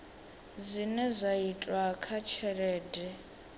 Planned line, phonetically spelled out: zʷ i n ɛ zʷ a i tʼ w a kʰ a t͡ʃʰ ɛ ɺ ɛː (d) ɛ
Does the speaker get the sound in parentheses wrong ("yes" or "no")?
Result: no